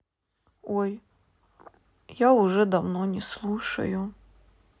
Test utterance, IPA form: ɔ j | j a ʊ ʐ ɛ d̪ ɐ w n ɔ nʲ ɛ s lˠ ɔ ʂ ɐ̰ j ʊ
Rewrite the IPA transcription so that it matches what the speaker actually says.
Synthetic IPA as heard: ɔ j | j a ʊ ʐ ɛ d̪ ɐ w n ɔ nʲ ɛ s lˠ u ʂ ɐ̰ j ʊ